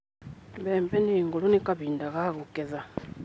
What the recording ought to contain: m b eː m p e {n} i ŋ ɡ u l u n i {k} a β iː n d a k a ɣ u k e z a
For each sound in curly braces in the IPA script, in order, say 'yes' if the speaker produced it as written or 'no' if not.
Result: yes, yes

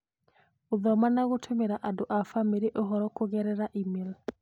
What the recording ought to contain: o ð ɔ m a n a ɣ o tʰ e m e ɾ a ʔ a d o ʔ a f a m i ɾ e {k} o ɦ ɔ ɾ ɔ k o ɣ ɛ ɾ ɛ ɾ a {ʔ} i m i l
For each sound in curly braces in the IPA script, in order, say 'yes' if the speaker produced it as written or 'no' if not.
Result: no, yes

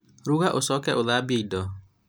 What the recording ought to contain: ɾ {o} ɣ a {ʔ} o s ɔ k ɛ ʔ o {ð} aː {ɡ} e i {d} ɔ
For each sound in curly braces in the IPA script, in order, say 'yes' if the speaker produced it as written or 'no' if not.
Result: no, yes, yes, no, yes

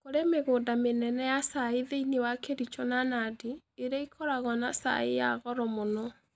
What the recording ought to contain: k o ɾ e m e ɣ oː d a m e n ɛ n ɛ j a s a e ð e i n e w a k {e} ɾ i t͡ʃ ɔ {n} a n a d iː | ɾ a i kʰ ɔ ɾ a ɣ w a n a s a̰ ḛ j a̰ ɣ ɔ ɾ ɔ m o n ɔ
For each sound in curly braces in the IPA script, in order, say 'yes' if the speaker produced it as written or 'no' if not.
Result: yes, yes

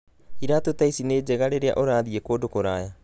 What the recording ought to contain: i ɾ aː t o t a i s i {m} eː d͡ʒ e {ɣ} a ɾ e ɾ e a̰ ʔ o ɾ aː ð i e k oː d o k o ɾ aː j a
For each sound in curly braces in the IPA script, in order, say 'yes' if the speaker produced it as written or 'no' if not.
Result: no, yes

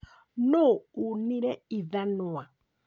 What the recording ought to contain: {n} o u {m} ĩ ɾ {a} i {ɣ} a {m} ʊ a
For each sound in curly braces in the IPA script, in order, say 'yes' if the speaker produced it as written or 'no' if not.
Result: yes, no, no, no, no

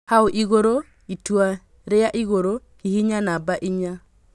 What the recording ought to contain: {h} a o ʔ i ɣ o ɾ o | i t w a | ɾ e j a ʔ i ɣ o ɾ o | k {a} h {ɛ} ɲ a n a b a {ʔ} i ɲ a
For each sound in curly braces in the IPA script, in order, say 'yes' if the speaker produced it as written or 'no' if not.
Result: yes, no, no, yes

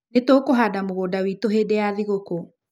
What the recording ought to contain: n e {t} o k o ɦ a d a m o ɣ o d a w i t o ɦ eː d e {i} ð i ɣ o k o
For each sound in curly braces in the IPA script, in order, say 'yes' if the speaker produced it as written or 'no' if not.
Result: yes, no

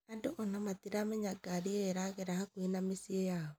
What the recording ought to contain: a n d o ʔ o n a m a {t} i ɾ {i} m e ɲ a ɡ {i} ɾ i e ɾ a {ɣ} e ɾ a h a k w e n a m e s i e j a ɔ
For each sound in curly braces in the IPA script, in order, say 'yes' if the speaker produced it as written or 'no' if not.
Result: yes, no, no, yes

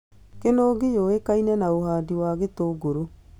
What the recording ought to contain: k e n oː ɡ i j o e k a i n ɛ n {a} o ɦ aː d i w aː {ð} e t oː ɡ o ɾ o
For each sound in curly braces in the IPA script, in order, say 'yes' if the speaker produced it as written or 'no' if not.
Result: yes, no

